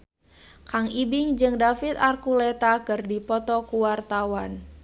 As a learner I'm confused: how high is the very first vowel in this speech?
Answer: low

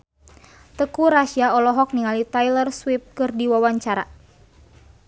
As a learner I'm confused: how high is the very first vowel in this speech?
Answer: mid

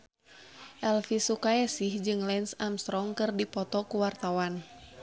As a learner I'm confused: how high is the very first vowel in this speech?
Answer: mid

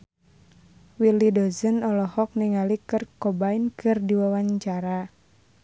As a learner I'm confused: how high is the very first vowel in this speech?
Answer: high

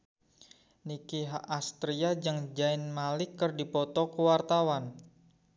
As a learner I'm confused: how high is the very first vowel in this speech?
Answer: high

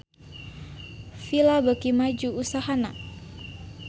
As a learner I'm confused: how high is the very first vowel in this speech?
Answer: high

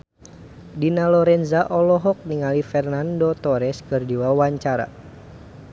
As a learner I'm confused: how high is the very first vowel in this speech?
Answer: high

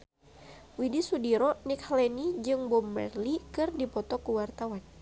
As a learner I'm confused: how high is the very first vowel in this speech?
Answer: high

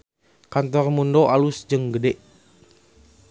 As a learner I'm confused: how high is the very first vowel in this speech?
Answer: low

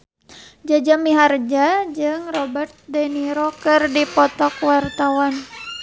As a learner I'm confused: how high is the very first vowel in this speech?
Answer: low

